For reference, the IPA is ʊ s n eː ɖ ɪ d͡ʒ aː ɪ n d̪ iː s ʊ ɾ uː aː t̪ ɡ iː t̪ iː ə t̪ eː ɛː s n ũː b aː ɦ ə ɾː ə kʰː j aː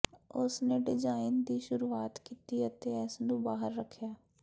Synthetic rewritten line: ʊ s n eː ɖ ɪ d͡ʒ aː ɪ n d̪ iː ʃ ʊ ɾ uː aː t̪ k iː t̪ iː ə t̪ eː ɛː s n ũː b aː ɦ ə ɾː ə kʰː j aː